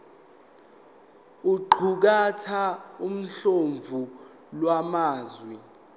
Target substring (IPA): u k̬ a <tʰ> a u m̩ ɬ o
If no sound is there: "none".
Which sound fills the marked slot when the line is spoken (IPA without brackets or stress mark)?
tʰ